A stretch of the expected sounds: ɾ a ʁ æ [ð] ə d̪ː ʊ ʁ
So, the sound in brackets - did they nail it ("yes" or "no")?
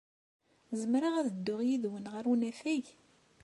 yes